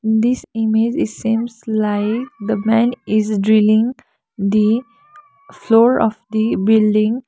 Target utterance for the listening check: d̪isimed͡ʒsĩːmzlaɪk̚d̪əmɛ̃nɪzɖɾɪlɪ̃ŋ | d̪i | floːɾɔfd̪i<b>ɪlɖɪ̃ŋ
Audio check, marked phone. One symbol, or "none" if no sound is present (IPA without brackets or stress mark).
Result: b